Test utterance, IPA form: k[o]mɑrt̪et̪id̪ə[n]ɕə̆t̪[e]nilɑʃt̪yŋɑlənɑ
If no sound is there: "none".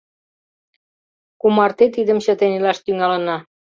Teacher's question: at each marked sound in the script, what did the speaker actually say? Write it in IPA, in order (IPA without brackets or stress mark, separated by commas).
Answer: u, m, e